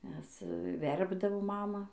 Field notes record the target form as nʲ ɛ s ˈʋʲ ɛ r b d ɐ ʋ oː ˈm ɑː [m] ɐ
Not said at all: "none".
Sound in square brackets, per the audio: m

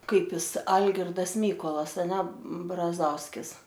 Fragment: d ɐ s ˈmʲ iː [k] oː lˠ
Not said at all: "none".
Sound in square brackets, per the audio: k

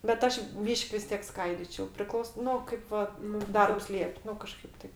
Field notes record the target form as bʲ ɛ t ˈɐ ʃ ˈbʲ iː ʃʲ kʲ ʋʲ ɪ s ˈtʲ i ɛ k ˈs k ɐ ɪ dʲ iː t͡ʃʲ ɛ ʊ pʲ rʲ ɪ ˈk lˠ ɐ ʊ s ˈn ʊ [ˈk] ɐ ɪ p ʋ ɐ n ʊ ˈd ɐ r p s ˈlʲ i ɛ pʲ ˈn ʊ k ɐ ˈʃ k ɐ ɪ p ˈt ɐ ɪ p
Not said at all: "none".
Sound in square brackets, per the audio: k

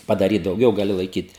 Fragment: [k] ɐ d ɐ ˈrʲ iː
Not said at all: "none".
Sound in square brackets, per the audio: p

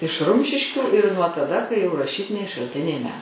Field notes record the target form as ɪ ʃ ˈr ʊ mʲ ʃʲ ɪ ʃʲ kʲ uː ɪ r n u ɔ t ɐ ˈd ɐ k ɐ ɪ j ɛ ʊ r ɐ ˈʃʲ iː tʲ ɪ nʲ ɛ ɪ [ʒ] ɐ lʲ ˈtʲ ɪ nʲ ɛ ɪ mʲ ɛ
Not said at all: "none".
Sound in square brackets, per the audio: ʃ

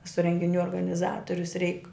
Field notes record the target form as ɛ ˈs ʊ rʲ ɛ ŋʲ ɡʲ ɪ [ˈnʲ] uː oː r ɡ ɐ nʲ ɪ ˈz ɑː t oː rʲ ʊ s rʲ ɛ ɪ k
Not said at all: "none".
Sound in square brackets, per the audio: nʲ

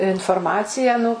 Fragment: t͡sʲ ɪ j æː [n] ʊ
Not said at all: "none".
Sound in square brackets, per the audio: n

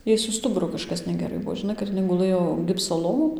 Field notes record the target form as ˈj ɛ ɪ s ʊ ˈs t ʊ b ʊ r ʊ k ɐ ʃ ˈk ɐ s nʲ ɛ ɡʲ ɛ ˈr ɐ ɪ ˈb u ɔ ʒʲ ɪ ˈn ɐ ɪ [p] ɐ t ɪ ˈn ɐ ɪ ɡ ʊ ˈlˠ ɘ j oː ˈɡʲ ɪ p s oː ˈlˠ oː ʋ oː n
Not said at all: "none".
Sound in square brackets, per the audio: k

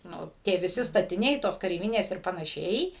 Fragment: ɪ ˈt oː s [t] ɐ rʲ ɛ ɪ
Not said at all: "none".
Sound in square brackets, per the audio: k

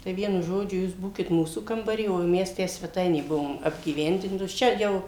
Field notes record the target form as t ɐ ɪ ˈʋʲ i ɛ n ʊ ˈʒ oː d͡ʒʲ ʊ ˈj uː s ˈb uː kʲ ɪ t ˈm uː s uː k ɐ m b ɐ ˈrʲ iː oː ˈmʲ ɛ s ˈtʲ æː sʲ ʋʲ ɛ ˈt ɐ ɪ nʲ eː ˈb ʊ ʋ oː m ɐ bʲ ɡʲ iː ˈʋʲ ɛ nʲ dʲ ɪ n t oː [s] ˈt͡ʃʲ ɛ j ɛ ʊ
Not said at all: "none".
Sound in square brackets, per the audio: s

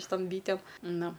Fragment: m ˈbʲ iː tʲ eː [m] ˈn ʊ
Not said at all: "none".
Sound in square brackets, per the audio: m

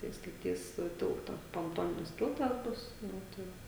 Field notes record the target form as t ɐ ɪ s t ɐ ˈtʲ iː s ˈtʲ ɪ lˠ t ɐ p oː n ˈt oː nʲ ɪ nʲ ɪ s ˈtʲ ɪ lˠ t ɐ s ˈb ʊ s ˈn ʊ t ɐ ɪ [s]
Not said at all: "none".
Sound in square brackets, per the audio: none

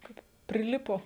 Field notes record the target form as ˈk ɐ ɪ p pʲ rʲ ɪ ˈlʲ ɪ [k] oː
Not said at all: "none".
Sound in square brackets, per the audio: p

